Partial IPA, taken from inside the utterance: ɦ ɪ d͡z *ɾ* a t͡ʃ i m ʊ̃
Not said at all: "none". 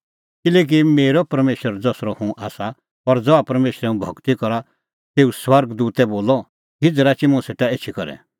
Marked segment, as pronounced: ɾ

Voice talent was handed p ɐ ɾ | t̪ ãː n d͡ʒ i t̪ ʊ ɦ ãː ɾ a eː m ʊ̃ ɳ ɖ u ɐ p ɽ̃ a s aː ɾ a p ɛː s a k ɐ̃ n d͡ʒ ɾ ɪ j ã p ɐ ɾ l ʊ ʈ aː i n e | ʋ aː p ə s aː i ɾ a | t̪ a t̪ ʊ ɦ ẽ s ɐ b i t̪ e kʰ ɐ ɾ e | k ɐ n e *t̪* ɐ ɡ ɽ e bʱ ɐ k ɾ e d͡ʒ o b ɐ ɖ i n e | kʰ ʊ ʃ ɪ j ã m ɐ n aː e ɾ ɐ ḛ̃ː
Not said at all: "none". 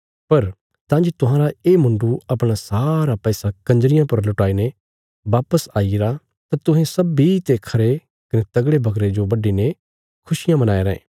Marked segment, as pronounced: t̪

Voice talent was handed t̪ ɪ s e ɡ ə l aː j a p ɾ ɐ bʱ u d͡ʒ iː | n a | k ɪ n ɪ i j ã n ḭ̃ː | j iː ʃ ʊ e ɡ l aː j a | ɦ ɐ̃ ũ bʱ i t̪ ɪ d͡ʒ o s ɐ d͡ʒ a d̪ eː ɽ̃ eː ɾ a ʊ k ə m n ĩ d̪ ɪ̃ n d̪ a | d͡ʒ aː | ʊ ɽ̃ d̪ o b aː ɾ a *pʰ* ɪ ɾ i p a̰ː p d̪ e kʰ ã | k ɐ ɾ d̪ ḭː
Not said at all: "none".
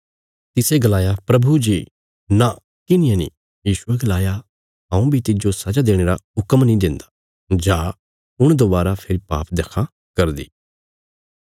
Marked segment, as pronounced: pʰ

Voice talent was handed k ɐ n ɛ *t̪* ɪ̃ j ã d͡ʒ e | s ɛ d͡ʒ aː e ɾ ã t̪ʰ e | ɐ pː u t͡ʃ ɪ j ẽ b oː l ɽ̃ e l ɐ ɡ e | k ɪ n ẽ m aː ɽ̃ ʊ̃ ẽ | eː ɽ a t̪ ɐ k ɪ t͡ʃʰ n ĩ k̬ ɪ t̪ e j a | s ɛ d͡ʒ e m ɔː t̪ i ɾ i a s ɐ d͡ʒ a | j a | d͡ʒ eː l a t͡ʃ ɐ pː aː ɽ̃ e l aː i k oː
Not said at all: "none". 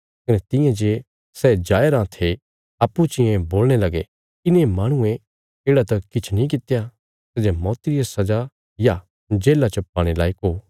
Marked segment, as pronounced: t̪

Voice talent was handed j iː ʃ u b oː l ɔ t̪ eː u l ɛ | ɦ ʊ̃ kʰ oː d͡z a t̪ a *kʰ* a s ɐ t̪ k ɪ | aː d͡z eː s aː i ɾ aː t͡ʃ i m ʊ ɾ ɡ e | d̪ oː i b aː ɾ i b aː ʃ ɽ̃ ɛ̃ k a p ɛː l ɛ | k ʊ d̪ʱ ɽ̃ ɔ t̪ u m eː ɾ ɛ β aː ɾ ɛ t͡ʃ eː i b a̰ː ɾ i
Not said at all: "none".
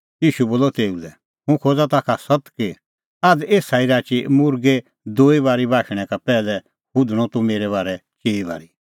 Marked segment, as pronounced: kʰ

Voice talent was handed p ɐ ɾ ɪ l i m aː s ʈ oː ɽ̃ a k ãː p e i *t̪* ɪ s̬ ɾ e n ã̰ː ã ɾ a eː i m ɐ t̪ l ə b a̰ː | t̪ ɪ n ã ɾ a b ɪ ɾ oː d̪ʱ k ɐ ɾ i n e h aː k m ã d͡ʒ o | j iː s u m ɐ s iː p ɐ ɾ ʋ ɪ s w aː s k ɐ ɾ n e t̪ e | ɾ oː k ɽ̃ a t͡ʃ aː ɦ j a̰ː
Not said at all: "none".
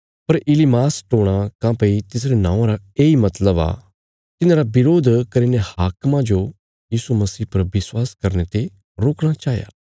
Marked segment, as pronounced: t̪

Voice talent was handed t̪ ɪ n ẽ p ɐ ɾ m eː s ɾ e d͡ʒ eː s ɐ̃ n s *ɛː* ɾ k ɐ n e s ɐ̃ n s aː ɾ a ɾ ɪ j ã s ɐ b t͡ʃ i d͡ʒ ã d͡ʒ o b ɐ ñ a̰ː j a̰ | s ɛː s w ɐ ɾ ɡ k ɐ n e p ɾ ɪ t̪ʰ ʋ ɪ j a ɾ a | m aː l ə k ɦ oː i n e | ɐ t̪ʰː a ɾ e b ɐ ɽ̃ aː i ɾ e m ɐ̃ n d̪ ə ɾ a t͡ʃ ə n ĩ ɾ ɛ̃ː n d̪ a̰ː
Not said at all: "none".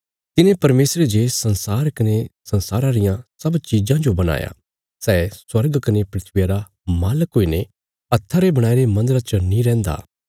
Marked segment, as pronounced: aː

